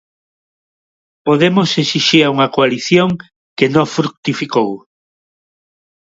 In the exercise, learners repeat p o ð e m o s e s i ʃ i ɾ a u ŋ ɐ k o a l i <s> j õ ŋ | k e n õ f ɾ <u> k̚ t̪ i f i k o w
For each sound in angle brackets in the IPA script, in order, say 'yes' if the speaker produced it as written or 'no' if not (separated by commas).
no, yes